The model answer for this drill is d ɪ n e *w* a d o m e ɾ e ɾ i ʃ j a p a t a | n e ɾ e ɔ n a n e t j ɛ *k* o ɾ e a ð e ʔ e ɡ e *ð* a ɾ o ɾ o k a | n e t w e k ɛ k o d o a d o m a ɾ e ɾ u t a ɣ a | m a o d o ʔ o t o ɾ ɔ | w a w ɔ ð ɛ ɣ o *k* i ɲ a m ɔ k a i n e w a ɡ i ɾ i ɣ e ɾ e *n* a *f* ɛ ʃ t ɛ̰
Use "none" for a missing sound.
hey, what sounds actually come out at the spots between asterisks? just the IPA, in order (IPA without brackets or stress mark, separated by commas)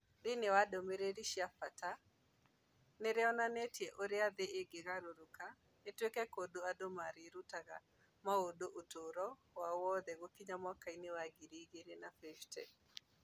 w, ʔ, ɣ, k, n, f